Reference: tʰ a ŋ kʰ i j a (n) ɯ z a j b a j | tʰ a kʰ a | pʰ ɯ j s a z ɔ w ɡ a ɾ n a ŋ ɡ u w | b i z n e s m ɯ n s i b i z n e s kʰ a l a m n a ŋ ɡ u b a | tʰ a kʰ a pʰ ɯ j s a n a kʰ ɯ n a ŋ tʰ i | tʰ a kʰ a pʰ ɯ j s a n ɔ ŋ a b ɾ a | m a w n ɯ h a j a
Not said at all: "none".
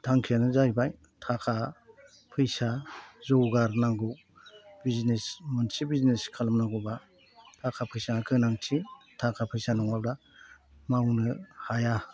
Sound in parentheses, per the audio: n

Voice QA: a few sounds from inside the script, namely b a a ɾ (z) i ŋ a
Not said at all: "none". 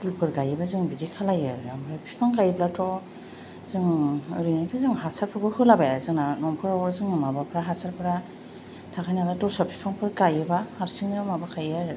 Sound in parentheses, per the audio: s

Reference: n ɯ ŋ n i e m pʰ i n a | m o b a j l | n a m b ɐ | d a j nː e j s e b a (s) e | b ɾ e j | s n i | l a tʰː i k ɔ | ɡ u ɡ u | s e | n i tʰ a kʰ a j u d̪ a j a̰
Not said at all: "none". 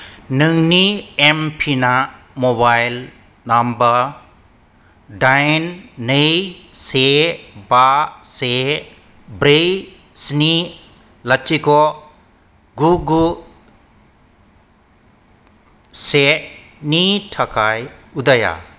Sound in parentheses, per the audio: s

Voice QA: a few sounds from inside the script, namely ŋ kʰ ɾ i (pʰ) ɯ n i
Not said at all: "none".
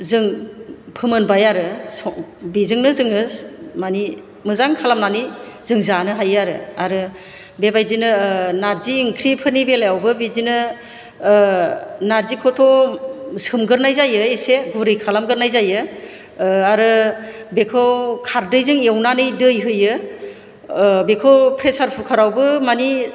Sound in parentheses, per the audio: pʰ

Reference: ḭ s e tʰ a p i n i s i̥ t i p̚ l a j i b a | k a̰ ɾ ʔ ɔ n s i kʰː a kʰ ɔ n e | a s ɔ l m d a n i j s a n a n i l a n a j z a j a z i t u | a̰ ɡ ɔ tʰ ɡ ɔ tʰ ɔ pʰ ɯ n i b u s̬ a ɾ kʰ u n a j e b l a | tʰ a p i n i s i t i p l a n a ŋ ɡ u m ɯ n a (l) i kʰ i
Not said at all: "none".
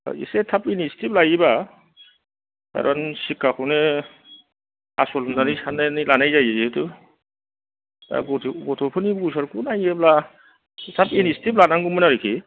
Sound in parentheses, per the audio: ɾ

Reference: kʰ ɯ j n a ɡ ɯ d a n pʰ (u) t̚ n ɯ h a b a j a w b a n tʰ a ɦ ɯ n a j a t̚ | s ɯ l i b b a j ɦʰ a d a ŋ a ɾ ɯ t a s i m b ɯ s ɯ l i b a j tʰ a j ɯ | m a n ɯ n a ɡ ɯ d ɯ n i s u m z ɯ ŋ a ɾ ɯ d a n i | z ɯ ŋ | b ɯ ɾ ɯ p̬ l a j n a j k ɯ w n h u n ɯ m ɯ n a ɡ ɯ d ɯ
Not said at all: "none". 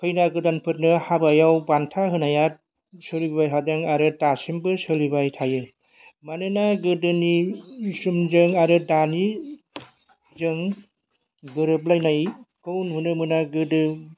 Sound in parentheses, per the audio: ɯ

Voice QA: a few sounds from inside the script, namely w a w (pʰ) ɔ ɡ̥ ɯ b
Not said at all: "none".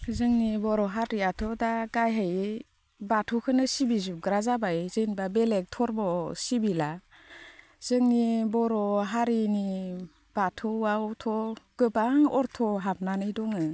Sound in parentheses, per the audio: tʰ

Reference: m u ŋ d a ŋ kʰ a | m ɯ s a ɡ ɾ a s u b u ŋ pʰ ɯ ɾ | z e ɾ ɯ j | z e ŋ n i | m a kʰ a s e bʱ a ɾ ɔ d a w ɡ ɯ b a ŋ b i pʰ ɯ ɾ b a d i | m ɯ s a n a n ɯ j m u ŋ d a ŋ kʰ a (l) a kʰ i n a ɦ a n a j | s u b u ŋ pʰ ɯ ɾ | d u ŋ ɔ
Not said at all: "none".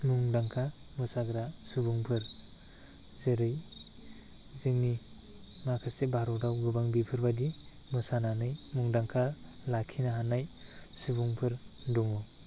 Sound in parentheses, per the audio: l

